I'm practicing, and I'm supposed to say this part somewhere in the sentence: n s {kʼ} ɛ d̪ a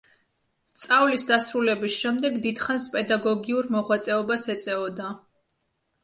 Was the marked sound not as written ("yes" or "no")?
yes